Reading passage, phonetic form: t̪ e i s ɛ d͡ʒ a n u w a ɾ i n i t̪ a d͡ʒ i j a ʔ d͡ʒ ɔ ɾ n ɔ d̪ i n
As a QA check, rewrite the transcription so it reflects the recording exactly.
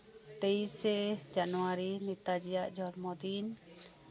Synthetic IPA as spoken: t̪ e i s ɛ d͡ʒ a n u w a ɾ i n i t̪ a d͡ʒ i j a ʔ d͡ʒ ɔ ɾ m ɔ d̪ i n

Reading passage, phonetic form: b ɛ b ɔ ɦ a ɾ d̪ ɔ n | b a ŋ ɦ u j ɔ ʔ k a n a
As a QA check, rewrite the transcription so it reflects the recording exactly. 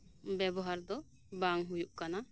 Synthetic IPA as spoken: b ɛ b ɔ ɦ a ɾ d̪ ɔ | b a ŋ ɦ u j u ʔ k a n a

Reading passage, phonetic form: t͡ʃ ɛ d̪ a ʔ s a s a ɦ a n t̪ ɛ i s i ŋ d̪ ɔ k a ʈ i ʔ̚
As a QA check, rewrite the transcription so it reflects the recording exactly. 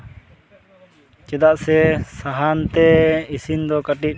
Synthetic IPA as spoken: t͡ʃ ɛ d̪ a ʔ s ɛ s a ɦ a n t̪ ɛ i s i n d̪ ɔ k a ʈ i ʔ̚

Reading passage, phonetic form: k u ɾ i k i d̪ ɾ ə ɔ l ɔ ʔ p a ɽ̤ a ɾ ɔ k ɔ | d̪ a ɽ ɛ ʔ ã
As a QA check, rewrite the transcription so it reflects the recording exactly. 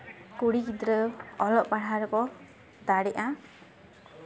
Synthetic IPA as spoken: k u ɽ i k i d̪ ɾ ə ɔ l ɔ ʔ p a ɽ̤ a ɾ ɔ k ɔ | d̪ a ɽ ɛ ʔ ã

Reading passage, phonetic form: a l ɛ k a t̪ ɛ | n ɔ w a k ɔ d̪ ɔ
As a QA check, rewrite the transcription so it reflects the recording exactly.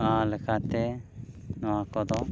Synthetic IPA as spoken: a l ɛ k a t̪ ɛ | n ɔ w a k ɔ d̪ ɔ

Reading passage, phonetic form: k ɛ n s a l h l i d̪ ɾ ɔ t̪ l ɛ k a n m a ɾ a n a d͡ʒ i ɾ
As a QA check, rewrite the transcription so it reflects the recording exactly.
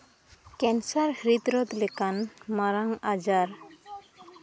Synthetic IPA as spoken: k ɛ n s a ɾ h ɾ i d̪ ɾ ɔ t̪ l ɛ k a n m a ɾ a ŋ a d͡ʒ a ɾ

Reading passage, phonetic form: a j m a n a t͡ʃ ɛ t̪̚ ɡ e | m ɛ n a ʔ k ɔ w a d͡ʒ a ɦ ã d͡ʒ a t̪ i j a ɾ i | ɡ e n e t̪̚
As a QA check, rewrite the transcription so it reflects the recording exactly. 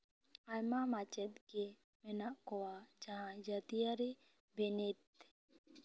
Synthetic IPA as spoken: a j m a m a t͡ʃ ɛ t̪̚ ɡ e | m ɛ n a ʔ k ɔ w a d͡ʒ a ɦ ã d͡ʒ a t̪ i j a ɾ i | b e n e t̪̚

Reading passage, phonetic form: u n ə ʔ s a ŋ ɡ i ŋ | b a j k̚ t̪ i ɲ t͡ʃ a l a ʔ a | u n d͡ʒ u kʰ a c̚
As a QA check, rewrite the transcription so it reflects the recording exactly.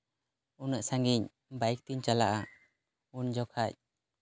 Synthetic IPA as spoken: u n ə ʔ s a ŋ ɡ i ɲ | b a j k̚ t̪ i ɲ t͡ʃ a l a ʔ a | u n d͡ʒ ɔ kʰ a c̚

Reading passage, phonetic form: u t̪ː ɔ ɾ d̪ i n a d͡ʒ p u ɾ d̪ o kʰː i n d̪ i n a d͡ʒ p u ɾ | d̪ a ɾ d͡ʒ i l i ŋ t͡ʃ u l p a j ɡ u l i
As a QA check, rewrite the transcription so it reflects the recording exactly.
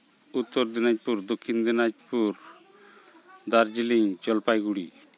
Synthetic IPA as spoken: u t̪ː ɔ ɾ d̪ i n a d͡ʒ p u ɾ d̪ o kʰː i n d̪ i n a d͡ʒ p u ɾ | d̪ a ɾ d͡ʒ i l i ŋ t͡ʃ ɔ l p a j ɡ u ɽ i

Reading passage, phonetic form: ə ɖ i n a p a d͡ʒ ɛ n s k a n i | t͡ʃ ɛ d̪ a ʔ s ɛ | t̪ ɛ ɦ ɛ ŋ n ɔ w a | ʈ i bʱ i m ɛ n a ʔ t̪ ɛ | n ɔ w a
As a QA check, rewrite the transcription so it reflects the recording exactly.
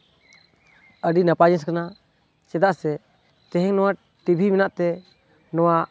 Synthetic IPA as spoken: ə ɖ i n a p a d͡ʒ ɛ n s k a n a | t͡ʃ ɛ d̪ a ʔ s ɛ | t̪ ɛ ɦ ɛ ŋ n ɔ w a | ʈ i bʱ i m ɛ n a ʔ t̪ ɛ | n ɔ w a

